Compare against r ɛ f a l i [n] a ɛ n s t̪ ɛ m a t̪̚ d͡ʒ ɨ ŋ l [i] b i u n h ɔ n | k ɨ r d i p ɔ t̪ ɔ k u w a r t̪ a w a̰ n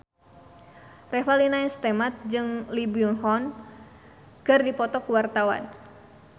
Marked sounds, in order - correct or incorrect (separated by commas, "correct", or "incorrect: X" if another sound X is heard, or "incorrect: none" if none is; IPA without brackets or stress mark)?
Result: correct, correct